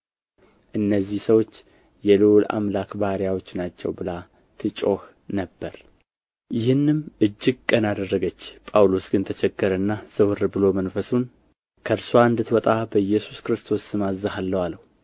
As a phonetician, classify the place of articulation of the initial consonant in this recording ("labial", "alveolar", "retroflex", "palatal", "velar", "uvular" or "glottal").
glottal